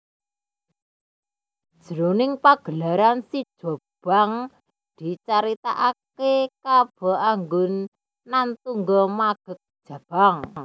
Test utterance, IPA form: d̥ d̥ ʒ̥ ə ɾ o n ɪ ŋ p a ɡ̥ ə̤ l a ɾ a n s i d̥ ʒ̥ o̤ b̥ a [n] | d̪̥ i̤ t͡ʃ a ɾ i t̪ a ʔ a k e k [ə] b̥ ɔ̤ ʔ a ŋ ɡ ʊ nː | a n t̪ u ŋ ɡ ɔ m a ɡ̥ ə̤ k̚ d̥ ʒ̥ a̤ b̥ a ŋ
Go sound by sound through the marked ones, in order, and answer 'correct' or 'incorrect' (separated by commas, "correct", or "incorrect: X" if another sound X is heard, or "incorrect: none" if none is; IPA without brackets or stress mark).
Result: incorrect: ŋ, incorrect: a